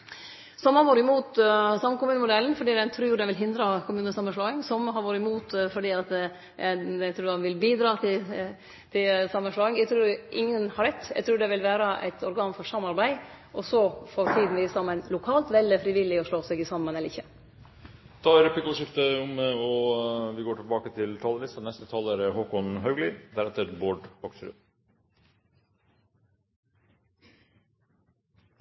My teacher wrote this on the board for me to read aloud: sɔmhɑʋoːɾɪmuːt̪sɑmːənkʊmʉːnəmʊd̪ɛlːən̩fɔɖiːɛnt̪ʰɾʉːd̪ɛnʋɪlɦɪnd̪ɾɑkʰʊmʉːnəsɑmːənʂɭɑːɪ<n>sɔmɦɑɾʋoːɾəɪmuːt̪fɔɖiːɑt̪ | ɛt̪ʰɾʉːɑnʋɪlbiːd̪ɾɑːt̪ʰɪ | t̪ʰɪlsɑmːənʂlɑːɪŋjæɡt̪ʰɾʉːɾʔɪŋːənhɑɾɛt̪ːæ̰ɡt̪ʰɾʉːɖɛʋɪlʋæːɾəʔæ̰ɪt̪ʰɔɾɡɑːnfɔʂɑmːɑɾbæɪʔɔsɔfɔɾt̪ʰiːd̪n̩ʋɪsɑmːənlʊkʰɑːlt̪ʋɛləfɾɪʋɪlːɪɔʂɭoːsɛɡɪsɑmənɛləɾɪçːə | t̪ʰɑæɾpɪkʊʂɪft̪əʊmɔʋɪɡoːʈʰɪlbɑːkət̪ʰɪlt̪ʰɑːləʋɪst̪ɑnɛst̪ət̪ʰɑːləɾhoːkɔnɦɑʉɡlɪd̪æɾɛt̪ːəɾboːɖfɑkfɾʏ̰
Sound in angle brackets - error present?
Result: yes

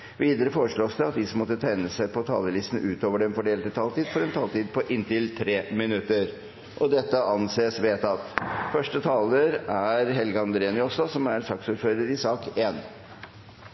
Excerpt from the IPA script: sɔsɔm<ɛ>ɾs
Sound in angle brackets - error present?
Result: yes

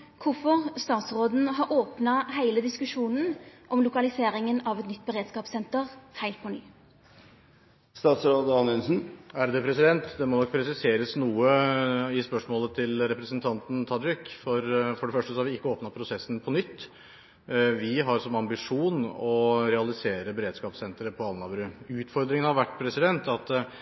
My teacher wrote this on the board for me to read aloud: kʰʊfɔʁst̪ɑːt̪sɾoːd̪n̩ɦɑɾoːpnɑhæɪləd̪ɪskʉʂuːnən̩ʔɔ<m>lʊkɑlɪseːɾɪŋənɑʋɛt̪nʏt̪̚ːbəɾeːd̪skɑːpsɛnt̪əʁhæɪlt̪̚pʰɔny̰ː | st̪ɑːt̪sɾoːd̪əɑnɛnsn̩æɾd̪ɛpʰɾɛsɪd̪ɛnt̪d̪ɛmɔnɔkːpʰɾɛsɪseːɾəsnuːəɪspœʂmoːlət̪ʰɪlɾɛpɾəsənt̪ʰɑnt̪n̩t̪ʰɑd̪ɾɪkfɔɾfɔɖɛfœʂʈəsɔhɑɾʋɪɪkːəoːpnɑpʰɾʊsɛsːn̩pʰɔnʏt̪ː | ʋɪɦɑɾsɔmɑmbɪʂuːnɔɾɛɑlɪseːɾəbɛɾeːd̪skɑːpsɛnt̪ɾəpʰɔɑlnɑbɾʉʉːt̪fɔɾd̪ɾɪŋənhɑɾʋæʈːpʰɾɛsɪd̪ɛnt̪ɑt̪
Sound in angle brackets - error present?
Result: no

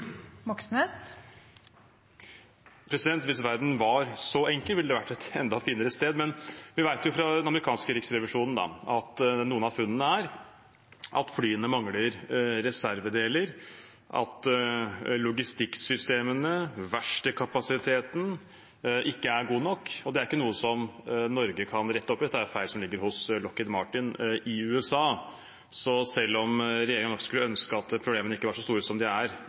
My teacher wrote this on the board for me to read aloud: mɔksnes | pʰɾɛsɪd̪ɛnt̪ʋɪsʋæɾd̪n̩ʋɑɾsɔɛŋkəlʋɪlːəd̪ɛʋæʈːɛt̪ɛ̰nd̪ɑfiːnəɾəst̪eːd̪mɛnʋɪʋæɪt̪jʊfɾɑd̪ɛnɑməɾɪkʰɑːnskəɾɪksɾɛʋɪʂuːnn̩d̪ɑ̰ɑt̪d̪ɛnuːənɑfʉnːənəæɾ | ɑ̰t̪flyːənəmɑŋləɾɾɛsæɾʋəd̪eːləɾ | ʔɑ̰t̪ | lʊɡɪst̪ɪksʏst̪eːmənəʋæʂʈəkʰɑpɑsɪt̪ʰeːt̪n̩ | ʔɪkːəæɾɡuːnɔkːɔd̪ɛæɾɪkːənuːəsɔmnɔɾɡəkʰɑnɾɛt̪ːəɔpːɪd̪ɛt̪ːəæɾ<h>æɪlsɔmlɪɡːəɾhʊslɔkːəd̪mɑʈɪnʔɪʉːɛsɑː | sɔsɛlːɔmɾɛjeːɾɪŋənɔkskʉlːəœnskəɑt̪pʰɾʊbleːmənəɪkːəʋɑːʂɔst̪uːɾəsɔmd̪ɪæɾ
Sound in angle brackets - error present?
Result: yes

